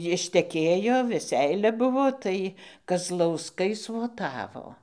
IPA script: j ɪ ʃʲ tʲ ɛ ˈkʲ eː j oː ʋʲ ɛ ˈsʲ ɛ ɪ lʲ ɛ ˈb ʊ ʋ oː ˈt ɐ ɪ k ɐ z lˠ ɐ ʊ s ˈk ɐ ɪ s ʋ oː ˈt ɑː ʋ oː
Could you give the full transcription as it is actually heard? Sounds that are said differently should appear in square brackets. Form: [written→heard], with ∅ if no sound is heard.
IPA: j ɪ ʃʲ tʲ ɛ ˈkʲ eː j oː ʋʲ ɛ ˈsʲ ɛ ɪ lʲ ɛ ˈb ʊ ʋ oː ˈt ɐ ɪ k ɐ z lˠ ɐ ʊ s ˈk ɐ ɪ s ʋ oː ˈt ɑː ʋ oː